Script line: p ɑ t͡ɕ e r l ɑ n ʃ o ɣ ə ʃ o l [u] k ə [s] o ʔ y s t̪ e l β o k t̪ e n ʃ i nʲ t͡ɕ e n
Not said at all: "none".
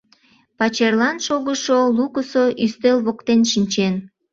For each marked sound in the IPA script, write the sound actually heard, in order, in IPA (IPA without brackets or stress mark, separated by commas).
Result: u, s